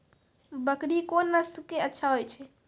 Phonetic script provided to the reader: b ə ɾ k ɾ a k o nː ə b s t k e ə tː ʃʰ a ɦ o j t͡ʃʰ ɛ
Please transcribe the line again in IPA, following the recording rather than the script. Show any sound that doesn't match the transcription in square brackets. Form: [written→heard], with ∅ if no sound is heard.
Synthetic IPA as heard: b ə [ɾ→∅] k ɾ [a→i] k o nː ə [b→∅] s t k e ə tː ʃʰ a ɦ o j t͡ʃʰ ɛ